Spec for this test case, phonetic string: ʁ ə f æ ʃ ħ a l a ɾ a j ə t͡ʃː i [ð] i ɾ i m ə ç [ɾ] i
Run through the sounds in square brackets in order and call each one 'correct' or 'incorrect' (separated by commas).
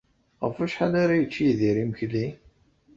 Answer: correct, incorrect